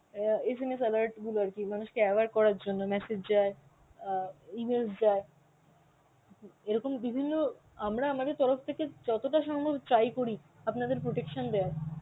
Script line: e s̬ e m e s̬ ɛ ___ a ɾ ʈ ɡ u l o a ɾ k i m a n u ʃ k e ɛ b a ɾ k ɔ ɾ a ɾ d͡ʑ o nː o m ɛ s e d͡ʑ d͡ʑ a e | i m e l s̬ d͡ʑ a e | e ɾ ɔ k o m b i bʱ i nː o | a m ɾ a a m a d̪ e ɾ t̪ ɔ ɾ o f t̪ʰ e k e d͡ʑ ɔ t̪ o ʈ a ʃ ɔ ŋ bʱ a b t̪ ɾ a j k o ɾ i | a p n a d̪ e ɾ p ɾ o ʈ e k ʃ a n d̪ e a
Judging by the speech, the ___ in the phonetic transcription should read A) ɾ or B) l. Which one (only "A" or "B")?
B